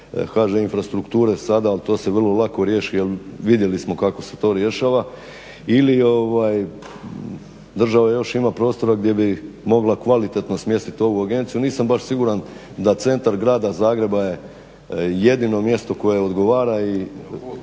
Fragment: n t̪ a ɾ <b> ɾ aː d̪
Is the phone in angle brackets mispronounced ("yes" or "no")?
yes